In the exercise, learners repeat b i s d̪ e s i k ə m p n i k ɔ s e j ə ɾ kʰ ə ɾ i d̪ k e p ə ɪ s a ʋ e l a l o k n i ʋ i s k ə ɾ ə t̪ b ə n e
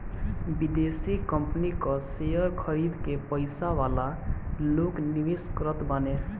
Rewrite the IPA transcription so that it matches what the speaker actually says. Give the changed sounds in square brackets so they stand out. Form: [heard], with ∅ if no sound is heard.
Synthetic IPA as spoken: b i [∅] d̪ e s i k ə m p n i k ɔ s e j ə ɾ kʰ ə ɾ i d̪ k e p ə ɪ s a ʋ [a] l a l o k n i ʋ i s k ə ɾ ə t̪ b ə n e